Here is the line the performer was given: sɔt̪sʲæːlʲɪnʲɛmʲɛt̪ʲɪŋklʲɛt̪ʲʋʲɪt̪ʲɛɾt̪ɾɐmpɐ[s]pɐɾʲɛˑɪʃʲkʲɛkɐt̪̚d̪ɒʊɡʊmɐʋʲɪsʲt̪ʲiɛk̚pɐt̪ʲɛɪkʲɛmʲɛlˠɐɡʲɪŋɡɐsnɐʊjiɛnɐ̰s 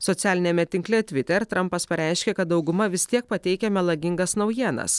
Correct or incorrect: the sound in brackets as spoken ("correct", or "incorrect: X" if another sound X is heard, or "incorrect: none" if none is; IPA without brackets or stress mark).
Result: correct